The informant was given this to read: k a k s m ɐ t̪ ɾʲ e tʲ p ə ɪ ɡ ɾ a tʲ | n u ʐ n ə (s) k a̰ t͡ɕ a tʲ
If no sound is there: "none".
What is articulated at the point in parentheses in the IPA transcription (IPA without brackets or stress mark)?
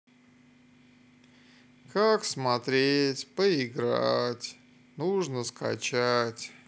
s